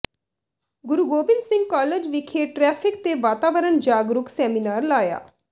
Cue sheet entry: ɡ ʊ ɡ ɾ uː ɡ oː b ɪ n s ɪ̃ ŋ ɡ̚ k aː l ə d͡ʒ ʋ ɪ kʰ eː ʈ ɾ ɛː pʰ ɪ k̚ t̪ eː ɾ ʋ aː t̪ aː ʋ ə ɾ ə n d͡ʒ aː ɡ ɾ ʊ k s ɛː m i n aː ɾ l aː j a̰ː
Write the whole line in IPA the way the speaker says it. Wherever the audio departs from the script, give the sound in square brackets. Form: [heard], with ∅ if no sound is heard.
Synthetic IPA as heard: ɡ ʊ [∅] ɾ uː ɡ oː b ɪ n s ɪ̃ ŋ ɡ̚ k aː l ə d͡ʒ ʋ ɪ kʰ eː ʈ ɾ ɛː pʰ ɪ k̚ t̪ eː [∅] ʋ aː t̪ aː ʋ ə ɾ ə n d͡ʒ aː ɡ ɾ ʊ k s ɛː m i n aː ɾ l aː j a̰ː